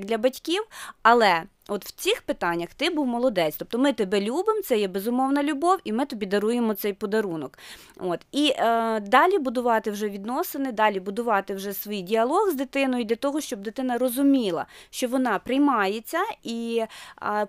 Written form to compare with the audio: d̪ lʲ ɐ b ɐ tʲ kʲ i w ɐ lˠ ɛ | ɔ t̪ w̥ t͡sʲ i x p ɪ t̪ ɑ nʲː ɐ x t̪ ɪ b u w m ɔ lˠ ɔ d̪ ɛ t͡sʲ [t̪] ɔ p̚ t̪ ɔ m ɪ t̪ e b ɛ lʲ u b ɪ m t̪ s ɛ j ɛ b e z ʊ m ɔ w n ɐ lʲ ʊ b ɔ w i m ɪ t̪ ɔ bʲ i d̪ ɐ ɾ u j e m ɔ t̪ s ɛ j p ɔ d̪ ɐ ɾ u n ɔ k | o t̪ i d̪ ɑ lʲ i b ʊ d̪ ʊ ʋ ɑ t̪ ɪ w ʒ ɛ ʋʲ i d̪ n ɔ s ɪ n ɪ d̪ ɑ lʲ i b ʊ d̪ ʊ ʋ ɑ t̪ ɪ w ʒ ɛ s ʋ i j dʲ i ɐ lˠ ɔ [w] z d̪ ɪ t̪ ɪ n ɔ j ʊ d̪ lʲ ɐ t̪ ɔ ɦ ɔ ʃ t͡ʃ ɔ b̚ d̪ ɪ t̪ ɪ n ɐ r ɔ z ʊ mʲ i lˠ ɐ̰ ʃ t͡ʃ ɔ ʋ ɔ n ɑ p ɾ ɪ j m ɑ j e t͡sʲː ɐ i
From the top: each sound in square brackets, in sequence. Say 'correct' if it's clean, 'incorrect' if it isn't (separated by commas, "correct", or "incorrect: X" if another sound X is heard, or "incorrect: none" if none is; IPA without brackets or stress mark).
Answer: correct, incorrect: ɣ